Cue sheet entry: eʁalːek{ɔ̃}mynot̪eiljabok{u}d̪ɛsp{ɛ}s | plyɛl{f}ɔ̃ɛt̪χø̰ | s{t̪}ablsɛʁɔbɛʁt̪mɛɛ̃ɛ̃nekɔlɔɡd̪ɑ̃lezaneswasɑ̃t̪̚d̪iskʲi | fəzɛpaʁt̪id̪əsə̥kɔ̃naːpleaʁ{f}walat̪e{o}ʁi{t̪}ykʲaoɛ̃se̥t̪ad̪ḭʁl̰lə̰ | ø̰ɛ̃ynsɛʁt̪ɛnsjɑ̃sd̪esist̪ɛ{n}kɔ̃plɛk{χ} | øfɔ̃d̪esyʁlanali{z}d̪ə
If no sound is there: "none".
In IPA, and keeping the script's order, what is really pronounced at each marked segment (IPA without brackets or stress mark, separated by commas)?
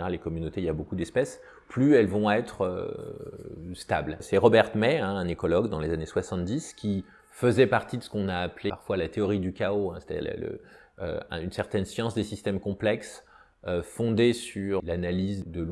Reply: ɔ, u, ɛ, v, t̪, f, ɔ, d̪, m, s, z